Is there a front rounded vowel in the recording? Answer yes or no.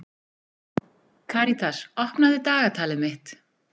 no